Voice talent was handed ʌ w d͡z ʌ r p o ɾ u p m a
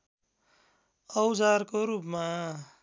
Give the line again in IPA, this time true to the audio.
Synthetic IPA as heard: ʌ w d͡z a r k o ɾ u p m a